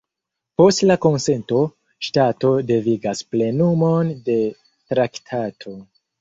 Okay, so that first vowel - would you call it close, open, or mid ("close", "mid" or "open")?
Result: mid